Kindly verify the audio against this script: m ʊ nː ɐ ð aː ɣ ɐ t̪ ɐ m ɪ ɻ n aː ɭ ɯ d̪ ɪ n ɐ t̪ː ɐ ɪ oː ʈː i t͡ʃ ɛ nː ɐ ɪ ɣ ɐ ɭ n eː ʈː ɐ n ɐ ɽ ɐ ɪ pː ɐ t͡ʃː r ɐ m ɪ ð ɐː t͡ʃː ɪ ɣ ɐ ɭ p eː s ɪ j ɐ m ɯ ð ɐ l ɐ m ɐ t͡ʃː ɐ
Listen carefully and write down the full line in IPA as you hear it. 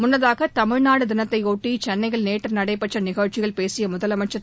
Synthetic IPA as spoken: m ʊ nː ɐ ð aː ɣ ɐ t̪ ɐ m ɪ ɻ n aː ɽ ɯ d̪ ɪ n ɐ t̪ː ɐ ɪ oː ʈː i t͡ʃ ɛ nː ɐ ɪ ɣ ɐ ɭ n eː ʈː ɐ n ɐ ɽ ɐ ɪ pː ɐ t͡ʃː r ɐ n ɪ ɣ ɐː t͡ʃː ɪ ɣ ɐ ɭ p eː s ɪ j ɐ m ʊ ð ɐ l ɐ m ɐ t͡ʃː ɐ

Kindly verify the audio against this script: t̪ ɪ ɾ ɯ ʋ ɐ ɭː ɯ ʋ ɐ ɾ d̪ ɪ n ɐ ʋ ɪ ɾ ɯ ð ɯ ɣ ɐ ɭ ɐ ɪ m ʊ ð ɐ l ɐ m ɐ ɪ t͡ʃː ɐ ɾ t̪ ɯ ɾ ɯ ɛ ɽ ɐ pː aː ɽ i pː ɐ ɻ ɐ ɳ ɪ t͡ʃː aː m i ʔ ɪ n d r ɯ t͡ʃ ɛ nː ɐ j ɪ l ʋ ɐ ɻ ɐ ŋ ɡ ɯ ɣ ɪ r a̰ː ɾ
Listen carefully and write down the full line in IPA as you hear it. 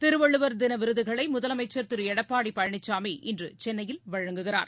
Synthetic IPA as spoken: t̪ ɪ ɾ ɯ ʋ ɐ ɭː ɯ ʋ ɐ ɾ d̪ ɪ n ɐ ʋ ɪ ɾ ɯ ð ɯ ɣ ɐ ɭ ɐ ɪ m ʊ ð ɐ l ɐ m ɐ ɪ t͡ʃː ɐ ɾ t̪ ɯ ɾ ɯ ɛ ɽ ɐ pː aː ɽ i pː ɐ ɻ ɐ ɳ ɪ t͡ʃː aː m i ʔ ɪ n d r ɯ t͡ʃ ɛ nː ɐ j ɪ l ʋ ɐ ɻ ɐ ŋ ɡ ɯ ɣ ɪ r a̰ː ɾ

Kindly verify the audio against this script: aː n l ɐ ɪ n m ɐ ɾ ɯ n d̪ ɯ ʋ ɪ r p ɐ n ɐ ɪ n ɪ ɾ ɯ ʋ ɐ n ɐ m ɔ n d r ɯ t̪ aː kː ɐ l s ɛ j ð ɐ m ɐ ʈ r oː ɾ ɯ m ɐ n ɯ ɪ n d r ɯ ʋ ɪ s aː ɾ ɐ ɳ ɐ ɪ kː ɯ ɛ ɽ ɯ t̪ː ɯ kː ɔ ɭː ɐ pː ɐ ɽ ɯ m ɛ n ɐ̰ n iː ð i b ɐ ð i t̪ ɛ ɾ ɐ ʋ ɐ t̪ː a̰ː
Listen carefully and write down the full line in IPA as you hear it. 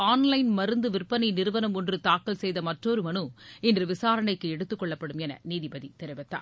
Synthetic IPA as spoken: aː n l ɐ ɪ n m ɐ ɾ ɯ n d̪ ɯ ʋ ɪ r p ɐ n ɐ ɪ n ɪ ɾ ɯ ʋ ɐ n ɐ m ɔ n d r ɯ t̪ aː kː ɐ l s ɛ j ð ɐ m ɐ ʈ r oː ɾ ɯ m ɐ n ɯ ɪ n d r ɯ ʋ ɪ s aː ɾ ɐ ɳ ɐ ɪ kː ɯ ɛ ɽ ɯ t̪ː ɯ kː ɔ ɭː ɐ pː ɐ ɽ ɯ m ɛ n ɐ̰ n iː ð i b ɐ ð i t̪ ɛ ɾ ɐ ʋ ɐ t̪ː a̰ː

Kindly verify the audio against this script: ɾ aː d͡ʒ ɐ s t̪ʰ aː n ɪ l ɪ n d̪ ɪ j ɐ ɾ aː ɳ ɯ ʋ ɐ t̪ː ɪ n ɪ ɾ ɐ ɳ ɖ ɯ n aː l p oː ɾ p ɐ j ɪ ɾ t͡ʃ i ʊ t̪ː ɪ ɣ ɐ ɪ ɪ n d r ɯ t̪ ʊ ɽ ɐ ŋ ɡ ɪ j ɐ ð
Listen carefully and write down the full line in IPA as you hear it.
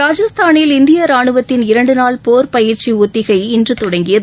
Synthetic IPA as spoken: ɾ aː d͡ʒ ɐ s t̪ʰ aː n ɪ l ɪ n d̪ ɪ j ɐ ɾ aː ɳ ɯ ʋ ɐ t̪ː ɪ n ɪ ɾ ɐ ɳ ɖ ɯ n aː l p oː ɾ p ɐ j ɪ ɾ t͡ʃ i ʊ t̪ː ɪ ɣ ɐ ɪ ɪ n d r ɯ t̪ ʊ ɽ ɐ ŋ ɡ ɪ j ɐ ð

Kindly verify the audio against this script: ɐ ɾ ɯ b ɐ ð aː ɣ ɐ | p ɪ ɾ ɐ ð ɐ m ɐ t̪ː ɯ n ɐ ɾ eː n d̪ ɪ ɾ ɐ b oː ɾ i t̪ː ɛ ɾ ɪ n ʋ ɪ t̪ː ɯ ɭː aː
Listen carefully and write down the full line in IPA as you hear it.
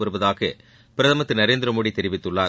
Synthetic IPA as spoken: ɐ ɾ ɯ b ɐ ð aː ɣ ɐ | p ɪ ɾ ɐ ð ɐ m ɐ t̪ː ɯ n ɐ ɾ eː n d̪ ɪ ɾ ɐ m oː ɽ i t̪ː ɛ ɾ ɪ ʋ ɪ t̪ː ɯ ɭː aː

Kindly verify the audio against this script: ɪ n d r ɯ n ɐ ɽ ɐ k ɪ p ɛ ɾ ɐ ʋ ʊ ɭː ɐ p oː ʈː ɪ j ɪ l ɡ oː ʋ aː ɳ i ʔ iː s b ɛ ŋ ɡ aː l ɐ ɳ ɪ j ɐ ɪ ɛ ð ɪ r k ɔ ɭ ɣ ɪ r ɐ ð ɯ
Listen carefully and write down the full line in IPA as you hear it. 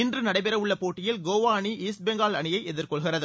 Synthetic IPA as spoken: ɪ n d r ɯ n ɐ ɽ ɐ ɪ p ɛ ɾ ɐ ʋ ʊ ɭː ɐ p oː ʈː ɪ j ɪ l ɡ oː ʋ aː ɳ i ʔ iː s b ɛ ŋ ɡ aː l ɐ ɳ ɪ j ɐ ɪ ɛ ð ɪ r k ɔ ɭ ɣ ɪ r ɐ ð ɯ

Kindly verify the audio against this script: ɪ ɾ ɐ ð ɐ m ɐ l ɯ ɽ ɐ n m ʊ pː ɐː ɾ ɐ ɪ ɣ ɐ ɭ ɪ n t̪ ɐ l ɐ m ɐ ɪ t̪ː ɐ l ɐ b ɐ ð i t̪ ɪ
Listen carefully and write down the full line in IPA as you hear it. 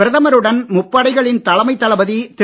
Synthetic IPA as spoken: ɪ ɾ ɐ ð ɐ m ɐ ɾ ɯ ɽ ɐ n m ʊ pː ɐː ɽ ɐ ɪ ɣ ɐ ɭ ɪ n t̪ ɐ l ɐ m ɐ ɪ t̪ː ɐ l ɐ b ɐ ð i t̪ ɪ

